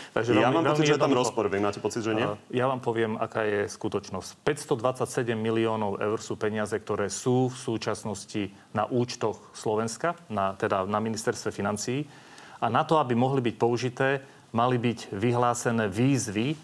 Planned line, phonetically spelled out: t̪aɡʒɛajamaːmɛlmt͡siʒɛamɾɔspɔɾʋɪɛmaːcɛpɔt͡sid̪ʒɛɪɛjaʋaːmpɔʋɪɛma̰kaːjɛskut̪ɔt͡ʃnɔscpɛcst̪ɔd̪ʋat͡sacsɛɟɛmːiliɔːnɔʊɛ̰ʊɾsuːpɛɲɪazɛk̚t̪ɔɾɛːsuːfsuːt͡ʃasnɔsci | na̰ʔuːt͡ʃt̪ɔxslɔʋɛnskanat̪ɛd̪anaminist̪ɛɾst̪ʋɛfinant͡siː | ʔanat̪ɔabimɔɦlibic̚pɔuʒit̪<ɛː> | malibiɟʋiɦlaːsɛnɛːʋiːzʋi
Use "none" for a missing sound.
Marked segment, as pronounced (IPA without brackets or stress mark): ɛː